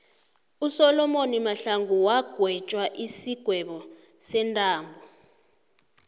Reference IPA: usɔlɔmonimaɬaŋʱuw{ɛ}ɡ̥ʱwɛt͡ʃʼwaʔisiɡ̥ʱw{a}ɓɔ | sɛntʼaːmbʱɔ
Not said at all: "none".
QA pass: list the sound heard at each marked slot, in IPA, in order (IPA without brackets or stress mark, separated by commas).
a, ɛ